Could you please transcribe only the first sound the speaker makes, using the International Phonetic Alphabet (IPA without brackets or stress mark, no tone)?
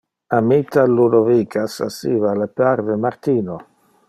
a